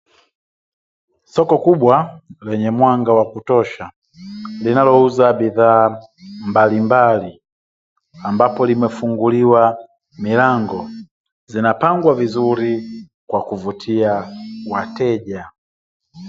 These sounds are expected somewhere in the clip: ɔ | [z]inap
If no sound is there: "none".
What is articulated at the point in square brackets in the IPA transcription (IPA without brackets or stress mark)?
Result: z